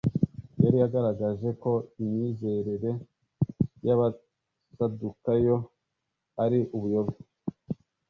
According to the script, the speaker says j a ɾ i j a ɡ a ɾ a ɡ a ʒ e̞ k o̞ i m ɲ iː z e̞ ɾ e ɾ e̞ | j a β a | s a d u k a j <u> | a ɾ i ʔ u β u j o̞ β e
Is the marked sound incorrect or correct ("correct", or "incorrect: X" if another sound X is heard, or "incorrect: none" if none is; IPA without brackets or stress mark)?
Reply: incorrect: o